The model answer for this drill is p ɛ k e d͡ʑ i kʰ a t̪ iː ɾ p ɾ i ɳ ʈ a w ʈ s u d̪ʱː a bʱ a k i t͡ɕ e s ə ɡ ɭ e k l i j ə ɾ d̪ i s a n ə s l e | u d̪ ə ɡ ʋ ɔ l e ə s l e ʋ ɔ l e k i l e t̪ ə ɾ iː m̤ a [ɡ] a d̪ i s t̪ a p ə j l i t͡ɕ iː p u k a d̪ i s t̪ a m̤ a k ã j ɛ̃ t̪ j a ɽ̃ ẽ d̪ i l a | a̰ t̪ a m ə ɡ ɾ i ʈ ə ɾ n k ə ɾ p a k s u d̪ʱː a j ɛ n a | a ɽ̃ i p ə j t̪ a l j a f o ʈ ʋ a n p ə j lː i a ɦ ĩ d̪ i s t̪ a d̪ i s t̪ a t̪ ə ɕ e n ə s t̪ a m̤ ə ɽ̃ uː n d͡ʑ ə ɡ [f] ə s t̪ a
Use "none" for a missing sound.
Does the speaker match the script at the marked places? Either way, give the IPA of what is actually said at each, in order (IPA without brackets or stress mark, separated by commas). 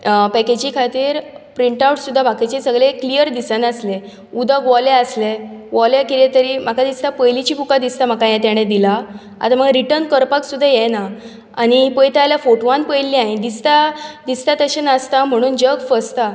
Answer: k, f